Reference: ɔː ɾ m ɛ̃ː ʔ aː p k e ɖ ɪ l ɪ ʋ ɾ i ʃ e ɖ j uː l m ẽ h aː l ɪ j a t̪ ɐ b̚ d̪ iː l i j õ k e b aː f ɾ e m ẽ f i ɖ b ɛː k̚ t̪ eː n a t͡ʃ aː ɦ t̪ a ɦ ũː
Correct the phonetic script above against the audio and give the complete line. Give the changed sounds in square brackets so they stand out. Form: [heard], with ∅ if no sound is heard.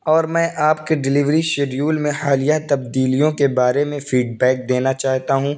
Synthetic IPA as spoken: ɔː ɾ m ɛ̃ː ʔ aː p k e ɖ ɪ l ɪ ʋ ɾ i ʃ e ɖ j uː l m ẽ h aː l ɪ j a t̪ ɐ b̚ d̪ iː l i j õ k e b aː [∅] ɾ e m ẽ f [iː] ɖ b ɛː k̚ [d̪] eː n a t͡ʃ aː ɦ t̪ a ɦ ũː